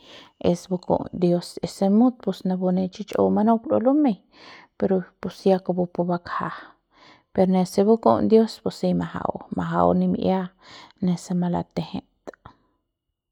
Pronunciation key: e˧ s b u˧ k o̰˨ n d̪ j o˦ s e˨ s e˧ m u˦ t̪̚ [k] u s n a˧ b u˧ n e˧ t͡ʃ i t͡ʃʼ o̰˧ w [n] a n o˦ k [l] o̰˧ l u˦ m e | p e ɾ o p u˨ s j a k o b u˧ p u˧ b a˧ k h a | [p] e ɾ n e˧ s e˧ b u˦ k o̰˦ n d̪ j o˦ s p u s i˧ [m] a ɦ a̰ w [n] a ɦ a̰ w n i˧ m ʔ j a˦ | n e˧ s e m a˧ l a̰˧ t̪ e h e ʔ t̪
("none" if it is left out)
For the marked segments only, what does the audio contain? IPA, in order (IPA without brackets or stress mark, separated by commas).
p, m, l, p, m, m